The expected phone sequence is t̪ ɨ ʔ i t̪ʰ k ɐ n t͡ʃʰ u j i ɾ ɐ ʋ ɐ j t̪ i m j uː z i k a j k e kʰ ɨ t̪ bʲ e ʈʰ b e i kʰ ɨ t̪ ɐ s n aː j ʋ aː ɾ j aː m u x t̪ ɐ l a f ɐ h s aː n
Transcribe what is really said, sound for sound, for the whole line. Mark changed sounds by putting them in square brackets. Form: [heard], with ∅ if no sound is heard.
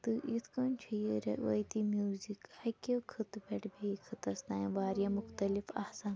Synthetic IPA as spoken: t̪ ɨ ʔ i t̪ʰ k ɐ n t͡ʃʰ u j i ɾ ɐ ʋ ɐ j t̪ i m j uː z i k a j k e kʰ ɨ t̪ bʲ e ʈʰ b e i kʰ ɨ t̪ ɐ s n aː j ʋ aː ɾ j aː m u x t̪ ɐ l [i] f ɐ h s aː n